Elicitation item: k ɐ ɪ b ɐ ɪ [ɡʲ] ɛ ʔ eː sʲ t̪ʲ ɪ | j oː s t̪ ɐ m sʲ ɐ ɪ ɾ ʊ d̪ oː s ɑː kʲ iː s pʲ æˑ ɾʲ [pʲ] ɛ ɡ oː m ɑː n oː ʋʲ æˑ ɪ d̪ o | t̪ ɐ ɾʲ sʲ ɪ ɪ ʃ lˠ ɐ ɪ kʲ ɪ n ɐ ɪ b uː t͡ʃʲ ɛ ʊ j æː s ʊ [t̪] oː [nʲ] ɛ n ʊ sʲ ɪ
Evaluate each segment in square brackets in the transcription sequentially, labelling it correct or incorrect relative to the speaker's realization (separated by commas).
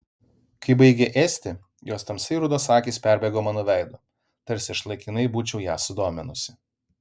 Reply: correct, incorrect, incorrect, incorrect